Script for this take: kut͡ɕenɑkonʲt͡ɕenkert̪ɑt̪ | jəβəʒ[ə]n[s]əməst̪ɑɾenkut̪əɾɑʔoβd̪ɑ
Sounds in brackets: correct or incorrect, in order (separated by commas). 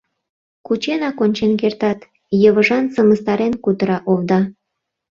incorrect, correct